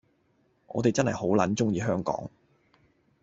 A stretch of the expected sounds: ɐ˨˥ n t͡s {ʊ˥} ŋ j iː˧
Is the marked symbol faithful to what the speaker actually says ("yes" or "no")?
yes